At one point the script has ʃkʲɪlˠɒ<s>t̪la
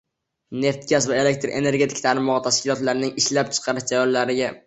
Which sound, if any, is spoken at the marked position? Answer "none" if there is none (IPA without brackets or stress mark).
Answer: none